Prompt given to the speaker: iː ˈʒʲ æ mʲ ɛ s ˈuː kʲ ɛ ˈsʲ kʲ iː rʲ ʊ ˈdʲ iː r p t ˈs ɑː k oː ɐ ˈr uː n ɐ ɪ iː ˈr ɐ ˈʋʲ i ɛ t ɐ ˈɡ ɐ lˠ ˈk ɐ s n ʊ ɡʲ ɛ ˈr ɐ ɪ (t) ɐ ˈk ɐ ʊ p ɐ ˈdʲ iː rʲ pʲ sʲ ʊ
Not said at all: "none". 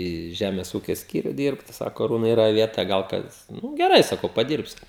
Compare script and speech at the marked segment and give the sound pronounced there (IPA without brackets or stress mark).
s